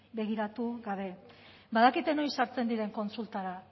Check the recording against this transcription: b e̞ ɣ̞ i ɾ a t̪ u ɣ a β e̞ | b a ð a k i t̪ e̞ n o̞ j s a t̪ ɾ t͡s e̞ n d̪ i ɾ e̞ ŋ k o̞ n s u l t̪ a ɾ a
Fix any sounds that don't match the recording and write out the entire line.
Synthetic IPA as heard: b e̞ ɣ̞ i ɾ a t̪ u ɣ a β e̞ | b a ð a k i t̪ e̞ n o̞ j s a ɾ t͡s e̞ n d̪ i ɾ e̞ ŋ k o̞ n s u l t̪ a ɾ a